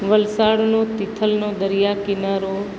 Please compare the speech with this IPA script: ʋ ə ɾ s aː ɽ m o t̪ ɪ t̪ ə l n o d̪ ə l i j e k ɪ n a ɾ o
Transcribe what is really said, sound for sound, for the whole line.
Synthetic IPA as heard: ʋ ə l s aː ɽ n o t̪ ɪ t̪ʰ ə l n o d̪ ə ɾ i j a k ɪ n a ɾ o